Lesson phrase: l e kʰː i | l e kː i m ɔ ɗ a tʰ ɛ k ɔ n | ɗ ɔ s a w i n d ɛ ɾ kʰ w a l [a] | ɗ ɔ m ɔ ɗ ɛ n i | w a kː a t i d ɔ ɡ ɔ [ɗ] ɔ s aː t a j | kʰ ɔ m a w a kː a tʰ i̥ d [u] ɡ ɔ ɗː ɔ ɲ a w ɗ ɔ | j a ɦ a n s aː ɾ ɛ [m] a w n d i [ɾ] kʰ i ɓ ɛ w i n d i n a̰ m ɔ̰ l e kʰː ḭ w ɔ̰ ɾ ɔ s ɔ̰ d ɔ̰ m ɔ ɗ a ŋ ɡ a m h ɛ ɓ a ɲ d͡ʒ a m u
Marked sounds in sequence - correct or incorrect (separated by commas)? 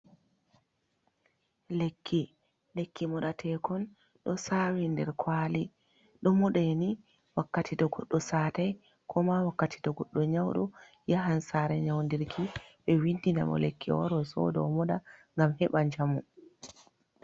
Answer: incorrect, incorrect, incorrect, incorrect, correct